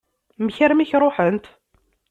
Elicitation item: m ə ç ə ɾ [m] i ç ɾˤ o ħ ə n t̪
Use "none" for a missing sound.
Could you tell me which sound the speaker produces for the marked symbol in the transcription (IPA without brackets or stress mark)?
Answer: m